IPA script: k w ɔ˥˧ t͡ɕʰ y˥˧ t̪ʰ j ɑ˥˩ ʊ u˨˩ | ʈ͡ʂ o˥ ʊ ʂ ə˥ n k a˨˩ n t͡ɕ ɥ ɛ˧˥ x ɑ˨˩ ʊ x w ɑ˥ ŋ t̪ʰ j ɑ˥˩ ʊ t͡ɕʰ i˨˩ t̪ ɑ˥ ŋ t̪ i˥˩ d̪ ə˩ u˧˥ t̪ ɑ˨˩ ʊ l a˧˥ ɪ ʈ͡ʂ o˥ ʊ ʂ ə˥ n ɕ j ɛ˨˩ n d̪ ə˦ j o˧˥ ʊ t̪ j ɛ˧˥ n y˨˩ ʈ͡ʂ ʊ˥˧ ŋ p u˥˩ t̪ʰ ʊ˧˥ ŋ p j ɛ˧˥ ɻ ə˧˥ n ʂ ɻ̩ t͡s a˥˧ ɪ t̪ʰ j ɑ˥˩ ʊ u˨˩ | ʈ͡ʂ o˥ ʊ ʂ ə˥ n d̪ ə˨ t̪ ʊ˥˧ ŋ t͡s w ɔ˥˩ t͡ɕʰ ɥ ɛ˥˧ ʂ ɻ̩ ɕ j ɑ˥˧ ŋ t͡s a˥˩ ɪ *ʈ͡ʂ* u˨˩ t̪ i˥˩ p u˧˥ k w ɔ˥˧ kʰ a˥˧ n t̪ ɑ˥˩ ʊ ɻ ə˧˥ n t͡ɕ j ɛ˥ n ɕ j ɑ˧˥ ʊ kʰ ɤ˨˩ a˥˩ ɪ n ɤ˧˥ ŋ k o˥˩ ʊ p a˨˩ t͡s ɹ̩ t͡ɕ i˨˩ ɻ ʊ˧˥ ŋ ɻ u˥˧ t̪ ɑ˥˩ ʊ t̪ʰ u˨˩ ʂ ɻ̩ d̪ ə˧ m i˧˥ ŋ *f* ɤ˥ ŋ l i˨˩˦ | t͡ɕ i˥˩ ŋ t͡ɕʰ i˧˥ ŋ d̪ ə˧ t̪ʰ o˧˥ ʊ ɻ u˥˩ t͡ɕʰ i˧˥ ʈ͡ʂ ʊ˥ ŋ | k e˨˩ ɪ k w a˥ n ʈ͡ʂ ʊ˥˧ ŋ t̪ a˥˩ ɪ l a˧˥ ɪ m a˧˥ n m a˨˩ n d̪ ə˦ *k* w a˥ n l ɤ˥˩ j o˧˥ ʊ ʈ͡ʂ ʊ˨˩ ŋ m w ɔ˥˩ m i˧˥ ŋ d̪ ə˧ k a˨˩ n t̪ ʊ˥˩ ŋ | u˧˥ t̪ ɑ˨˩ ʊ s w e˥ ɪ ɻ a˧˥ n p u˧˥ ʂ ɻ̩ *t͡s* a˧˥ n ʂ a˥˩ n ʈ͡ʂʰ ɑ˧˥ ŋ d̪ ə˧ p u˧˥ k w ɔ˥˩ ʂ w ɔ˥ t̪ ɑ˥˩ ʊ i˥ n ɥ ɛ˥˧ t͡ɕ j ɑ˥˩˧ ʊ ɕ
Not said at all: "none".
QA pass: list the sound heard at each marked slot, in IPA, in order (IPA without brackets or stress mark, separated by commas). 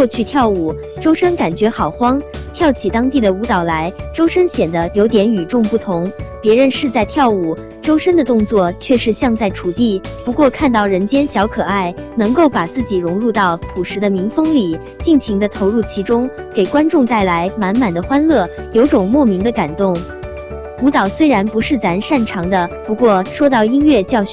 ʈ͡ʂʰ, f, x, t͡s